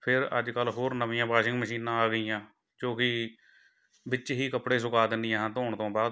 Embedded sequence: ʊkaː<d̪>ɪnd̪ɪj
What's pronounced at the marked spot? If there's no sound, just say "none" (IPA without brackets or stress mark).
d̪